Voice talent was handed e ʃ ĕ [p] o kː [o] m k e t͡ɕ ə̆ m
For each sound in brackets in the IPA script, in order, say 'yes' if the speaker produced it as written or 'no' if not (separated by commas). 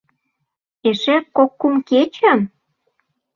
no, no